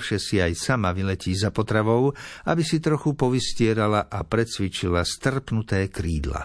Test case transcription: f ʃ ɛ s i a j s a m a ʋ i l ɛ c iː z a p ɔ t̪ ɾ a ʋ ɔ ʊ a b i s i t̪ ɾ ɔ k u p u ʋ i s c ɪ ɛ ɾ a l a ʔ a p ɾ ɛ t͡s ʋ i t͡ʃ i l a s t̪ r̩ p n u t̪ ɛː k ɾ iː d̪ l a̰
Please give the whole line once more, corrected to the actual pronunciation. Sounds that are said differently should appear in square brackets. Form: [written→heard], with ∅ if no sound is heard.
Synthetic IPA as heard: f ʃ ɛ s i a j s a m a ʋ i l ɛ c iː z a p ɔ t̪ ɾ a ʋ ɔ ʊ a b i s i t̪ ɾ ɔ [k→x] u p [u→ɔ] ʋ i s c ɪ ɛ ɾ a l a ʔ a p ɾ ɛ t͡s ʋ i t͡ʃ i l a s t̪ r̩ p n u t̪ ɛː k ɾ iː d̪ l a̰